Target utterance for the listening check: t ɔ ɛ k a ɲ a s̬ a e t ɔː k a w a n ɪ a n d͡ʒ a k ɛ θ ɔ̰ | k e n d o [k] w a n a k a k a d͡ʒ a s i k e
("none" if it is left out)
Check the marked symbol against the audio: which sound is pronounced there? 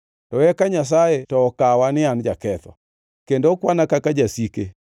k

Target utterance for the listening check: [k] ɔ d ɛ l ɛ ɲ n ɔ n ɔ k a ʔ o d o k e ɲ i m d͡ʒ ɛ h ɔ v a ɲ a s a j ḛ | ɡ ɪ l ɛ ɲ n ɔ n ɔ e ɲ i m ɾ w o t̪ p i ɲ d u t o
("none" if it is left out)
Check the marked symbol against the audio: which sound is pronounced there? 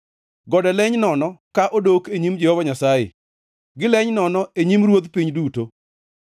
ɡ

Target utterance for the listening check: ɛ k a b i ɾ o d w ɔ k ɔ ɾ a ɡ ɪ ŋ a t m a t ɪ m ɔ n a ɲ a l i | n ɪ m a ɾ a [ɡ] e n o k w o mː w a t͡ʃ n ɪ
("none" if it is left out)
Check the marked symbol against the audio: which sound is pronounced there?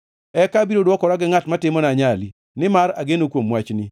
ɡ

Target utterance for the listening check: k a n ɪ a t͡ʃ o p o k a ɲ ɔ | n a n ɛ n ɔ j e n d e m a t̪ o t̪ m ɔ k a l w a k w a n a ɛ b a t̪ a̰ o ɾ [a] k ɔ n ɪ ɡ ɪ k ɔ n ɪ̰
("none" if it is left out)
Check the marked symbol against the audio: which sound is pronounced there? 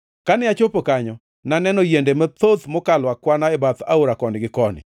a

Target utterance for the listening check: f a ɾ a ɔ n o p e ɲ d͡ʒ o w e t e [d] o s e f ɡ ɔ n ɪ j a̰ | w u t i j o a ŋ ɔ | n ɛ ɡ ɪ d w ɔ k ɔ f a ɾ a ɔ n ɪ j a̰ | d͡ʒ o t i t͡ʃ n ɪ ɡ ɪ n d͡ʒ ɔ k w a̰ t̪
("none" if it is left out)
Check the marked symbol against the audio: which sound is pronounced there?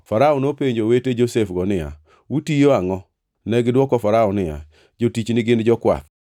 d͡ʒ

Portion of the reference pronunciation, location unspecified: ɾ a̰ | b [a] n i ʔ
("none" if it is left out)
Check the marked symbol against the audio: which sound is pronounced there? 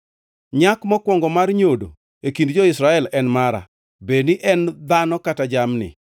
e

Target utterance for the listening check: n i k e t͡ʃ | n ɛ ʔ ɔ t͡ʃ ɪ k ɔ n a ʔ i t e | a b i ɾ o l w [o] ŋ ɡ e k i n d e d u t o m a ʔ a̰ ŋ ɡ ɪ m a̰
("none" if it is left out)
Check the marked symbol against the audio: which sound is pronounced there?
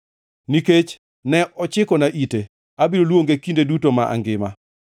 o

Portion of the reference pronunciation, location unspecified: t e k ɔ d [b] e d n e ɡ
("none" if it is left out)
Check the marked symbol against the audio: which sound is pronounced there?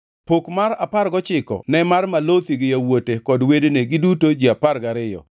w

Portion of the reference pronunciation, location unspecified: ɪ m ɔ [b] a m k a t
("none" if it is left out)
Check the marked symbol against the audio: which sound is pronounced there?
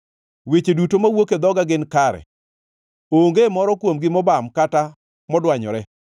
b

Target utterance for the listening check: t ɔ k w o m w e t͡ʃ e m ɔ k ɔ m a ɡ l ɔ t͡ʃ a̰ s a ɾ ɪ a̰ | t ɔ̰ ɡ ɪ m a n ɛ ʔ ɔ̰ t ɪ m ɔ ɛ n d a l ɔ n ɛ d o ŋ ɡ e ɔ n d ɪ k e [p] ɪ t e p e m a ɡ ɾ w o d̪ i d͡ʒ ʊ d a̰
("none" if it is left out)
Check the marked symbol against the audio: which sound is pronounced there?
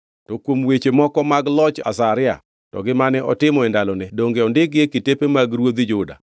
k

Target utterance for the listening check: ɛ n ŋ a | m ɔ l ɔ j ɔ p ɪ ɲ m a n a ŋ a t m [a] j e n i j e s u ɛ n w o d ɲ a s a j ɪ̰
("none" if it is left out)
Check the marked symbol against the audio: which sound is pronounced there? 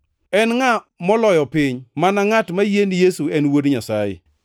a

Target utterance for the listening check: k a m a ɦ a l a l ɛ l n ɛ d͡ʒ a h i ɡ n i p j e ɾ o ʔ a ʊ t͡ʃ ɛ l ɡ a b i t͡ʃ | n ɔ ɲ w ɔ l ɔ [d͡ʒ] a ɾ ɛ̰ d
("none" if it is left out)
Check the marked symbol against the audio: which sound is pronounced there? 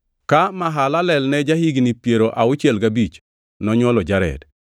d͡ʒ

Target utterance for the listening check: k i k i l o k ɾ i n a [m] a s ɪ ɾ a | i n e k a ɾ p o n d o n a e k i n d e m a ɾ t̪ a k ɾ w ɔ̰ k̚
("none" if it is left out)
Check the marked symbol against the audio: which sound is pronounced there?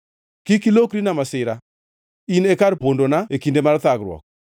m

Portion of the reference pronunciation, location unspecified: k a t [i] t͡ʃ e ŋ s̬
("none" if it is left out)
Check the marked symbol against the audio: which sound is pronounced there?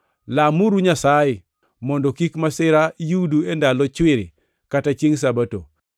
a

